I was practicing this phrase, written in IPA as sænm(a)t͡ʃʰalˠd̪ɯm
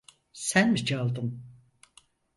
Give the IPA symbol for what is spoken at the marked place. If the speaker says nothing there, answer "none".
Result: i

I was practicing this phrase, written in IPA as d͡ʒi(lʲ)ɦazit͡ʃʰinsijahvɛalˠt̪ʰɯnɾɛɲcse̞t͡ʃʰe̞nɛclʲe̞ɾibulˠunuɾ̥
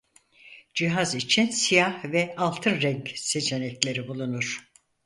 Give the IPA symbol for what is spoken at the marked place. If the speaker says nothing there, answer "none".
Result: none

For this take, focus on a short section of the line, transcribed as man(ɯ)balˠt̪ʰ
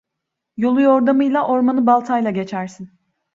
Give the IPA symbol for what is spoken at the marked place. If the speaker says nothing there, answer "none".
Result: ɯ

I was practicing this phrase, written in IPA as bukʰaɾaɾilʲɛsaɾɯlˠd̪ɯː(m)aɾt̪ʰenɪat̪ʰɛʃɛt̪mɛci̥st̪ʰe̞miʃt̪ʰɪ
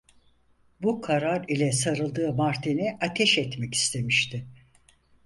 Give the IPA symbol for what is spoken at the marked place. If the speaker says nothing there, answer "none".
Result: m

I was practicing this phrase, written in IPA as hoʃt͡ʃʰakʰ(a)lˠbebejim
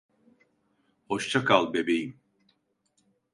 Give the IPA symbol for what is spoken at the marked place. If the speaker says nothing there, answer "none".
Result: a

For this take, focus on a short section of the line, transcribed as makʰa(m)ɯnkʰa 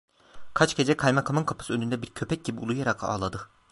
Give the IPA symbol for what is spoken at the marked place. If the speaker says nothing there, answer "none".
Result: m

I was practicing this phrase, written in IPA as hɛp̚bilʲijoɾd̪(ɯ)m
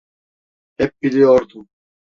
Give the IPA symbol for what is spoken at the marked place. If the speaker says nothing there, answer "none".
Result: u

